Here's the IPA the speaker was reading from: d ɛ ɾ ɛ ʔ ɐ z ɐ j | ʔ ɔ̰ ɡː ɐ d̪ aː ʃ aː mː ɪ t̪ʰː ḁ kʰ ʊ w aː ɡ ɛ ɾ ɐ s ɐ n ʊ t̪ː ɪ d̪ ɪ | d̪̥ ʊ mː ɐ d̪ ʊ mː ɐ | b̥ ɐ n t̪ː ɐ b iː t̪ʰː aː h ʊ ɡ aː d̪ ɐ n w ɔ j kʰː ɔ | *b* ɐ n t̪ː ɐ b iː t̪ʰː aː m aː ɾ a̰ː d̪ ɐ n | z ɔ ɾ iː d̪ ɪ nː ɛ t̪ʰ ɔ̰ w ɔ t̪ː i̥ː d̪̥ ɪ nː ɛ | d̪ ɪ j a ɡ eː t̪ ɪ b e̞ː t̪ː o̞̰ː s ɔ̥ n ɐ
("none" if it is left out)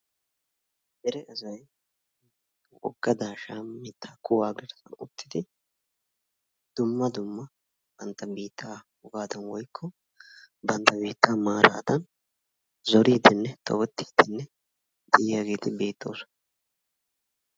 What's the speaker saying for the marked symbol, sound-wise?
b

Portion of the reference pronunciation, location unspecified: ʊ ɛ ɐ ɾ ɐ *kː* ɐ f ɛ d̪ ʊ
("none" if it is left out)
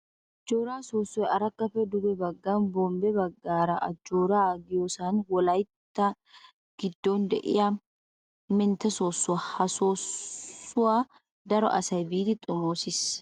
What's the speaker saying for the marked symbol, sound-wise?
kː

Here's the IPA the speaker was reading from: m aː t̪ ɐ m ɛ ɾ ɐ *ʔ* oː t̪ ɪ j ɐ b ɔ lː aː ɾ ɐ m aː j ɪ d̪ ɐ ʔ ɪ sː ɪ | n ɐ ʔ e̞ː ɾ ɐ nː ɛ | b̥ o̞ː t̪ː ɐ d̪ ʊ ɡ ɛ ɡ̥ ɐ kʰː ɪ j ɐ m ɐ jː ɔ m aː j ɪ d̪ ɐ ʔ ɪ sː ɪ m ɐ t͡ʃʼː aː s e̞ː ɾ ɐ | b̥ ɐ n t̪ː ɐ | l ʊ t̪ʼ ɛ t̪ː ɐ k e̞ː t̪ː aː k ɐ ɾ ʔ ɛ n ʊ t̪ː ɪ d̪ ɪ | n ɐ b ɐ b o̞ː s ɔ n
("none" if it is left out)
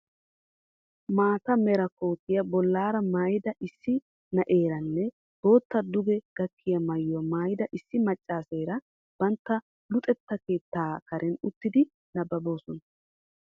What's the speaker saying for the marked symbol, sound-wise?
k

